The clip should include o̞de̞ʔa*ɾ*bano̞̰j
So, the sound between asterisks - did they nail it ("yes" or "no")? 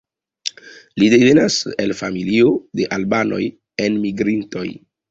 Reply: no